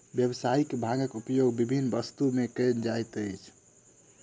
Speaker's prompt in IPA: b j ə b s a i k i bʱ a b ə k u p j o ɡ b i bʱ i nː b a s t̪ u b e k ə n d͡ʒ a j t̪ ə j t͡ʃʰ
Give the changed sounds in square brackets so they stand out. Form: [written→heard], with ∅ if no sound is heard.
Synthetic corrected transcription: b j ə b s a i k [i→e] bʱ a [b→ɡ] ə k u p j o ɡ b i bʱ i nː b [a→ə] s t̪ u [b→m] e k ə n d͡ʒ a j t̪ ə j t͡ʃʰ